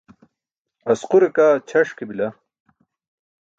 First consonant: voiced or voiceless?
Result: voiceless